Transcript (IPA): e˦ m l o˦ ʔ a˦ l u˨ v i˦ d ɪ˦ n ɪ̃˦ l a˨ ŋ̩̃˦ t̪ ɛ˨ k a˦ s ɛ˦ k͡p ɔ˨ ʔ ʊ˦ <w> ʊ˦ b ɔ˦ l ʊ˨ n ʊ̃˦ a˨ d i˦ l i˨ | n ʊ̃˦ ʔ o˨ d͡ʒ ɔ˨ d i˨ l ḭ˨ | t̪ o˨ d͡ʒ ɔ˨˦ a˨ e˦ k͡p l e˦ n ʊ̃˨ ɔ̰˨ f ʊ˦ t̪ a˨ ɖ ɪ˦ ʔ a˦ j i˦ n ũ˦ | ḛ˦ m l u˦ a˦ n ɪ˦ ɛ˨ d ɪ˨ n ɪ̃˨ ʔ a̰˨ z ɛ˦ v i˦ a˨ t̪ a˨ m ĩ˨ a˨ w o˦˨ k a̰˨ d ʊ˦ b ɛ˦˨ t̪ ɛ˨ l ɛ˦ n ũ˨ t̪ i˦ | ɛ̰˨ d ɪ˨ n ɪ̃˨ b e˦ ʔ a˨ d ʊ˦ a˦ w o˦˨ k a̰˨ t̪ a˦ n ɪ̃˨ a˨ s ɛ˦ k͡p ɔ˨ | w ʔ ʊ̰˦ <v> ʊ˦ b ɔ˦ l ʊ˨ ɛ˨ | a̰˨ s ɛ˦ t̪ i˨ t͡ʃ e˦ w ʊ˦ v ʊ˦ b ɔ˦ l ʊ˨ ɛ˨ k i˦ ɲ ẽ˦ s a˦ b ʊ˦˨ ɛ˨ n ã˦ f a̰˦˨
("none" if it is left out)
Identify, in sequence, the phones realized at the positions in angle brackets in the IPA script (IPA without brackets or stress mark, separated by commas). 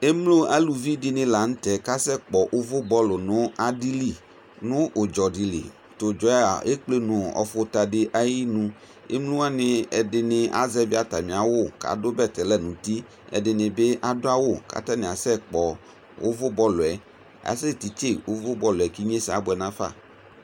v, v